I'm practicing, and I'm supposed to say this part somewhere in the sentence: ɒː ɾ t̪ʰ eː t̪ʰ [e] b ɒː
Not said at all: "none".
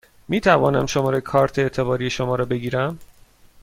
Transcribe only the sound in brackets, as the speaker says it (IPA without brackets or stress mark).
e